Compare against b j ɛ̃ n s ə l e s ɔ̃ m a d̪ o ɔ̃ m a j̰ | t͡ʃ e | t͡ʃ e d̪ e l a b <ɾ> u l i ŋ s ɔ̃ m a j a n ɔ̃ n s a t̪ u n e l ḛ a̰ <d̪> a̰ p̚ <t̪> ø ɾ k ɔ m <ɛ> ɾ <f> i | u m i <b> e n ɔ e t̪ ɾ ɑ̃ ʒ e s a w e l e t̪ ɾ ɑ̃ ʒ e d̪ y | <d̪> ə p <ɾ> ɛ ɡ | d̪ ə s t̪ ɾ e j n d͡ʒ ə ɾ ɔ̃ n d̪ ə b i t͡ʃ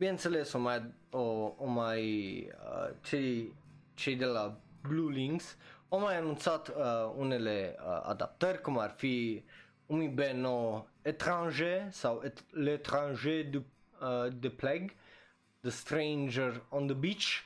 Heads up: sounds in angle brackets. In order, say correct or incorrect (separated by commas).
incorrect, correct, correct, incorrect, correct, correct, correct, incorrect